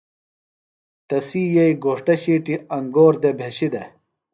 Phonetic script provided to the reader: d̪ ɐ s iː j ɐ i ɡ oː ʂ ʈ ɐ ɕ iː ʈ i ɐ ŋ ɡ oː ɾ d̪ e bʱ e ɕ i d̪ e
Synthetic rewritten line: t̪ ɐ s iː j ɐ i ɡ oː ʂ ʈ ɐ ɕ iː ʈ i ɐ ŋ ɡ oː ɾ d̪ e bʱ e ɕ i d̪ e